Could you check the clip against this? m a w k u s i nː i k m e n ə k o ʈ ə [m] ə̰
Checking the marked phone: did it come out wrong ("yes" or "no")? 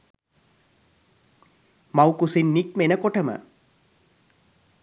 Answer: no